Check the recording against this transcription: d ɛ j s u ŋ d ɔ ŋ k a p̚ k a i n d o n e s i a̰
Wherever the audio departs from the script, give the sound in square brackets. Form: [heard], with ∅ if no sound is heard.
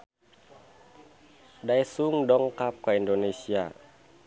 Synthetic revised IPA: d [a] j s u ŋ d ɔ ŋ k a p̚ k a i n d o n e s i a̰